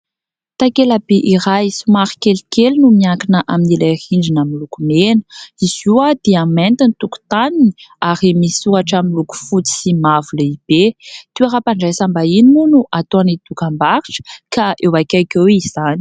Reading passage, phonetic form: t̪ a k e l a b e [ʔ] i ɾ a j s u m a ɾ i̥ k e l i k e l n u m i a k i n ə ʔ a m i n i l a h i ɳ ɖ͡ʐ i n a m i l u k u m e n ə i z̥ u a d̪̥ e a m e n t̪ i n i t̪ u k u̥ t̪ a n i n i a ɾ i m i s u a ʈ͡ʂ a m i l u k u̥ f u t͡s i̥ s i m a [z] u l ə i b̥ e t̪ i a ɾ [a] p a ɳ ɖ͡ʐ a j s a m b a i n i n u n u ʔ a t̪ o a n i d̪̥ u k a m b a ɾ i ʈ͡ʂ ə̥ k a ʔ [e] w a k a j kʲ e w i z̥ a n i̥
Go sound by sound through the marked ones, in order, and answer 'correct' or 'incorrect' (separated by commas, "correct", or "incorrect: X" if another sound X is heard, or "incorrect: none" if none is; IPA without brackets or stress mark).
correct, incorrect: v, correct, correct